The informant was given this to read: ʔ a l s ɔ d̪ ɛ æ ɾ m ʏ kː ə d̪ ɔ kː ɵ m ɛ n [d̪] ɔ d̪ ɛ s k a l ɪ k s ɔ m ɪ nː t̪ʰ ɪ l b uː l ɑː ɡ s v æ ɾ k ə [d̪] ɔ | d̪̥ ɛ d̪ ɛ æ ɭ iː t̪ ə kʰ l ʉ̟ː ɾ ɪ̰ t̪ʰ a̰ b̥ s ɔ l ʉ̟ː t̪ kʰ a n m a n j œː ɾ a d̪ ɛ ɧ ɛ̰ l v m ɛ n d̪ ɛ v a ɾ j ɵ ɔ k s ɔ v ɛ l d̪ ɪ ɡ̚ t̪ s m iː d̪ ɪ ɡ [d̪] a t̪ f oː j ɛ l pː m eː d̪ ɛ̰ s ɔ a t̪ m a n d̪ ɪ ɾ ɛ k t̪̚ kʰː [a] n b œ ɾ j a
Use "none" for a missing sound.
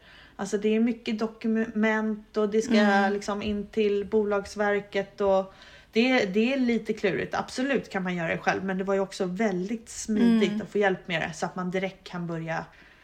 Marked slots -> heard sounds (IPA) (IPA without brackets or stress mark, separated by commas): t̪, t̪, t̪, a